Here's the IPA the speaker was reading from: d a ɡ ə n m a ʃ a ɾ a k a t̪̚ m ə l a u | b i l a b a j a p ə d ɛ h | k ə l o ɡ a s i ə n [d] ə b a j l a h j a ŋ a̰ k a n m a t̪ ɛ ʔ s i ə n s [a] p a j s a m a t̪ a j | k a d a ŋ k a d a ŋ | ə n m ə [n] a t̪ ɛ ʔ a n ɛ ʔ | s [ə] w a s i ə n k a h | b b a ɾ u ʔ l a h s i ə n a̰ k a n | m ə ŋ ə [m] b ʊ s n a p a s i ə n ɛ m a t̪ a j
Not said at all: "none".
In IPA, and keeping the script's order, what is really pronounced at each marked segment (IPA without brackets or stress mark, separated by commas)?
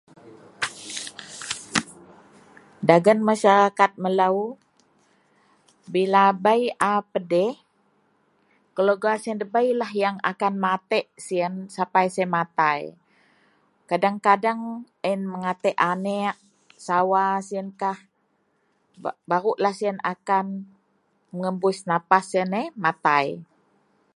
d, a, ŋ, a, m